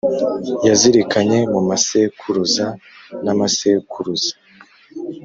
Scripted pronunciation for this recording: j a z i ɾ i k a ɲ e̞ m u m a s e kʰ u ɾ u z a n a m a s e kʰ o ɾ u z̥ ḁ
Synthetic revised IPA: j a z i ɾ i k a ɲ e̞ m u m a s e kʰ u ɾ u z a n a m a s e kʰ u ɾ u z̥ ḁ